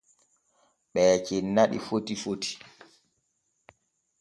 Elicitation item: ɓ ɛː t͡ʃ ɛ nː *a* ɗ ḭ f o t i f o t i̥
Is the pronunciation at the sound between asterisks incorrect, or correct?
correct